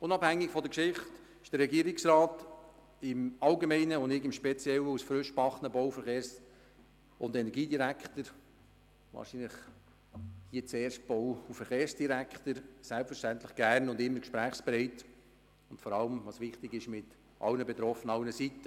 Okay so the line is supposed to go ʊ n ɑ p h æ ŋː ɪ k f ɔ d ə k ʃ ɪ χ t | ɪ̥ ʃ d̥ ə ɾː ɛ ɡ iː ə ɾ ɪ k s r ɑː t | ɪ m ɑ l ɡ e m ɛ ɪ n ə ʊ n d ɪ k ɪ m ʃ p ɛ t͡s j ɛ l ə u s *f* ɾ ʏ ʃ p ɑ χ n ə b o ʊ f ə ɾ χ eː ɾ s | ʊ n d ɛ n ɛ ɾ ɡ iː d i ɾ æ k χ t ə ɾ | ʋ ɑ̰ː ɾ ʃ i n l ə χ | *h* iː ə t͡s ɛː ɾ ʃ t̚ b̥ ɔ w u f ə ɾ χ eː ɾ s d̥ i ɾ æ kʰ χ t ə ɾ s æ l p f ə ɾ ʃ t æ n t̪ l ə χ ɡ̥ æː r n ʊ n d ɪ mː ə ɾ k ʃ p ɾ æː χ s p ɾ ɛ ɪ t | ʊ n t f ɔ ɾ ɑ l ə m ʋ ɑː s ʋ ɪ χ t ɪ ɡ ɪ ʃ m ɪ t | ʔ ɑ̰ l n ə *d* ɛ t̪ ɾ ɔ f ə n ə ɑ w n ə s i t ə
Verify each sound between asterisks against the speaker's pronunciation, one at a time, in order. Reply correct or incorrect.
correct, correct, incorrect

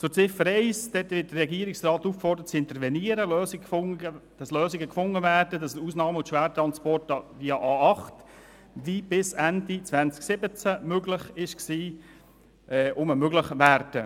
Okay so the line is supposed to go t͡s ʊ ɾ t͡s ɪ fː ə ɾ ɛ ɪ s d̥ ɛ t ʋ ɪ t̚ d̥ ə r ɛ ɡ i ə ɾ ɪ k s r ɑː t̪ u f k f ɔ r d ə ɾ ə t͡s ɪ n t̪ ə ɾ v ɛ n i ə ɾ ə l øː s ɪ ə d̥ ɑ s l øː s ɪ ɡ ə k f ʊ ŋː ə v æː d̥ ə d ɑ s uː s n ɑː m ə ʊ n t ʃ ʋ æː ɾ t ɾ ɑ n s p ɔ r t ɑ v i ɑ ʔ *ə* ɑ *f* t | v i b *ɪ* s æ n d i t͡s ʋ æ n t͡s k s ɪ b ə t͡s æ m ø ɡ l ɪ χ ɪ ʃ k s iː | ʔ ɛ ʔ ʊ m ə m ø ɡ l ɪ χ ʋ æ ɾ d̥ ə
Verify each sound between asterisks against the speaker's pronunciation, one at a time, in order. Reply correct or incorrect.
incorrect, incorrect, correct

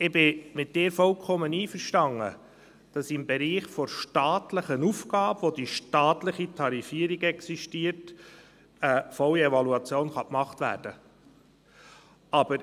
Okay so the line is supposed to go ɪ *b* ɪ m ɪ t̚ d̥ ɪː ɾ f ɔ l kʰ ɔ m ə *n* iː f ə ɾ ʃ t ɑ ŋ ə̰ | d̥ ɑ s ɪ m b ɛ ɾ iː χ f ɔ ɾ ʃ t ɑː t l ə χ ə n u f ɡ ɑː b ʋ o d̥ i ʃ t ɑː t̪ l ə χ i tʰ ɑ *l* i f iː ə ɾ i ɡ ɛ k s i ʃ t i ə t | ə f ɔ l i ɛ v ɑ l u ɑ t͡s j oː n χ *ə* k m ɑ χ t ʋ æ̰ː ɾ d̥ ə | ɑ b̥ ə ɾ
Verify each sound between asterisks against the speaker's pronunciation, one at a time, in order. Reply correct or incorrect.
correct, correct, incorrect, incorrect

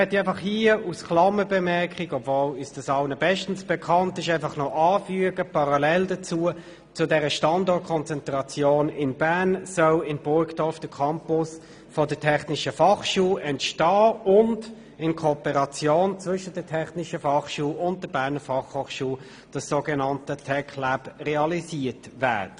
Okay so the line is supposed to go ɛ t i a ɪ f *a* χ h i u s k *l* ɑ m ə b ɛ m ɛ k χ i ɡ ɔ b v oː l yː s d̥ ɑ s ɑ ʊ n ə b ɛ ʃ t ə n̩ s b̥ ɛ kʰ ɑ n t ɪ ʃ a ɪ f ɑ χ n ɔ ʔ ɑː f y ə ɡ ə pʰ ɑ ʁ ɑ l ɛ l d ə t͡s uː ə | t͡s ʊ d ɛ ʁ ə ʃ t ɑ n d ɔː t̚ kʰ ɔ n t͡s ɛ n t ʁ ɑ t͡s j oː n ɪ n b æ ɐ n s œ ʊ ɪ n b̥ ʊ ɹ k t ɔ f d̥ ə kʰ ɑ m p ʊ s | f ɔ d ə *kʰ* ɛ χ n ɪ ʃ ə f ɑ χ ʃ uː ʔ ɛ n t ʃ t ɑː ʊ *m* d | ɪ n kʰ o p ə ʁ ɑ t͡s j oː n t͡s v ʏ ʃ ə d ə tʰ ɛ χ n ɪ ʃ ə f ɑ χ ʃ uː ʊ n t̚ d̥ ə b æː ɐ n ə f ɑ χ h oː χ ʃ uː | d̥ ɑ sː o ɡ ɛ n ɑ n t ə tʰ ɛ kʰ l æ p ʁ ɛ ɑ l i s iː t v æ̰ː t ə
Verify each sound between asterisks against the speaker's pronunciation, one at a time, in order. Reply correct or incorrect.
incorrect, correct, incorrect, incorrect

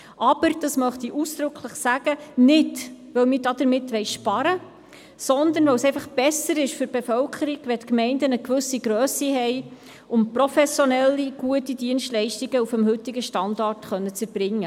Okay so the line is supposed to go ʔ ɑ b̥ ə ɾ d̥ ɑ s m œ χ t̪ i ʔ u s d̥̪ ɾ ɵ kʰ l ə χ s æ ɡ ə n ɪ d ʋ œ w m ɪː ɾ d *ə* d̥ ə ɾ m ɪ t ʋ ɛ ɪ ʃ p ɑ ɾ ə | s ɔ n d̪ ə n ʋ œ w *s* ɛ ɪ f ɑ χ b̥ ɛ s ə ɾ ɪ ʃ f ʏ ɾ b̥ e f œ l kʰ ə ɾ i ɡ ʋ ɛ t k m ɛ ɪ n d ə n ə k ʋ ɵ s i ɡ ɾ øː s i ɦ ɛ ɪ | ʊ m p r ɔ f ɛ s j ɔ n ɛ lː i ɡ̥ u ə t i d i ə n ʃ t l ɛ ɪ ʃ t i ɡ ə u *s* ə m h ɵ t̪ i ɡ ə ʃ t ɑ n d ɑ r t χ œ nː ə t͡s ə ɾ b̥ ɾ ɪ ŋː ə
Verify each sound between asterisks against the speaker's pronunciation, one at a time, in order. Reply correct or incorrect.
incorrect, correct, incorrect

